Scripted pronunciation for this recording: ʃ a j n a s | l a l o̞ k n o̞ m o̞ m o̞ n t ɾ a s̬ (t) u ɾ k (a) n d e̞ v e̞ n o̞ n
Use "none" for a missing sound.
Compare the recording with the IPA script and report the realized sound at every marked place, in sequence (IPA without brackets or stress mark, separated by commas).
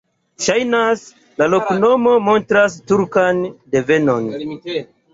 t, a